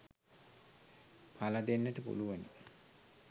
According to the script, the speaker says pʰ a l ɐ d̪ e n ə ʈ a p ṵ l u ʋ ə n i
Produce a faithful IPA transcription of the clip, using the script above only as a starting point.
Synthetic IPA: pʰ a l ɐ d̪ e nː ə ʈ ə p ṵ l u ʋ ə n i